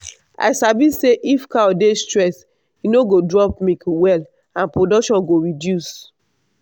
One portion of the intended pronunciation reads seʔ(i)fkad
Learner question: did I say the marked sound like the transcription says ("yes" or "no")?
yes